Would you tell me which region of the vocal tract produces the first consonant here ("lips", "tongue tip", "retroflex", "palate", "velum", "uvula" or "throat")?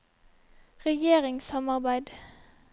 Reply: uvula